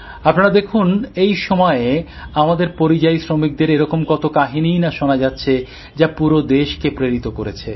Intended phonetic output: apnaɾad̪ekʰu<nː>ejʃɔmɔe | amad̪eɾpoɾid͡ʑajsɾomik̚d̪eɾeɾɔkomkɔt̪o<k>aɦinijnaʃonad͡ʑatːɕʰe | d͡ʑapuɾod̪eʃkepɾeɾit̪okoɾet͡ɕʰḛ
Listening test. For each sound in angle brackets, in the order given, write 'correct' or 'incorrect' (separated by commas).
incorrect, correct